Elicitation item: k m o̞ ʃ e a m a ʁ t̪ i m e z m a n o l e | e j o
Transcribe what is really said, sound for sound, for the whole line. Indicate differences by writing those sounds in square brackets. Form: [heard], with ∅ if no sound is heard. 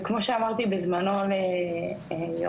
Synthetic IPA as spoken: k m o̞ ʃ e a m a ʁ t̪ i [b] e z m a n o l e | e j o